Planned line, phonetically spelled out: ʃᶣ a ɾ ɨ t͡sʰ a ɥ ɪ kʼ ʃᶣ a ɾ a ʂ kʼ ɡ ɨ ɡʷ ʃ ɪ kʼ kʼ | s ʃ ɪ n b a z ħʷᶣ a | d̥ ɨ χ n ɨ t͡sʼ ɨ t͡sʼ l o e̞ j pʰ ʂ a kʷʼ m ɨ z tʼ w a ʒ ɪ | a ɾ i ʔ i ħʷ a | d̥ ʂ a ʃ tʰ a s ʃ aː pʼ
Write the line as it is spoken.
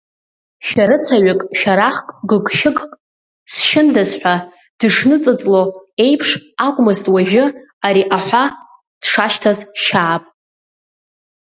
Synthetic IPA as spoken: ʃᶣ a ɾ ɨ t͡sʰ a ɥ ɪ kʼ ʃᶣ a ɾ a χ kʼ ɡ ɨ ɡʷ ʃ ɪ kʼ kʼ | s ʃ ɪ n d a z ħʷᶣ a | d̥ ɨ ʂ n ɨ t͡sʼ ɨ t͡sʼ l o e̞ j pʰ ʂ a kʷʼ m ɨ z tʼ w a ʒ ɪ | a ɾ i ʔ a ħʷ a | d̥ ʂ a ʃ tʰ a z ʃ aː pʼ